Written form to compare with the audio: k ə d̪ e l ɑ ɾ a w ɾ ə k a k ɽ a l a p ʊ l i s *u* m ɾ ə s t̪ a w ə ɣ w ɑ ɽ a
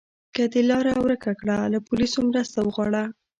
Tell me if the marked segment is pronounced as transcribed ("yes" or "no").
no